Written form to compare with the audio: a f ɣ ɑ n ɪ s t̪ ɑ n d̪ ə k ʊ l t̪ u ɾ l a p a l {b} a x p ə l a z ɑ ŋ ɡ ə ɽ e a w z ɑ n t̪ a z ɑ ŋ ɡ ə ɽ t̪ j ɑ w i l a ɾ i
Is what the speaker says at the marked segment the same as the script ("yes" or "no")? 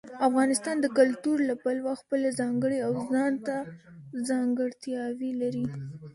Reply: no